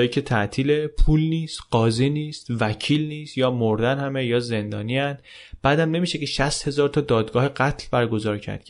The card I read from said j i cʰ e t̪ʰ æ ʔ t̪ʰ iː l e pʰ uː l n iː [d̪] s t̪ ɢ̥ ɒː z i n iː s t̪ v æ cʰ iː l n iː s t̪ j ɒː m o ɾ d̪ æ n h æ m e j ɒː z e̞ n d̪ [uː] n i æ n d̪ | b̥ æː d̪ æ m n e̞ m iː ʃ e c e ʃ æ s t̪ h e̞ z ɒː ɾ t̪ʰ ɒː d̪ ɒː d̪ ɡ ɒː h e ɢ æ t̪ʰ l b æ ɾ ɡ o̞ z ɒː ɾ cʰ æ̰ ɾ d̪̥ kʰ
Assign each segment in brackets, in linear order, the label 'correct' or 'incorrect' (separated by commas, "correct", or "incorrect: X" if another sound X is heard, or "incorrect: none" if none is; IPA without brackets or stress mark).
incorrect: none, incorrect: ɒː